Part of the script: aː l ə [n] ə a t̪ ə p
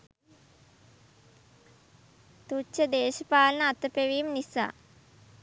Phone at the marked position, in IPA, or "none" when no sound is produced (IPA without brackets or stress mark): n